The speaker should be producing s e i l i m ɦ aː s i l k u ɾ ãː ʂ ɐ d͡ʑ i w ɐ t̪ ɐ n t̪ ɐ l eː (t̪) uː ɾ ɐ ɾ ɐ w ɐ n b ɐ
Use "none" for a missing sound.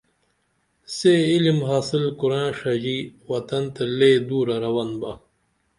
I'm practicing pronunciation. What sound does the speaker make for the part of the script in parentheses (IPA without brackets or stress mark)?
d̪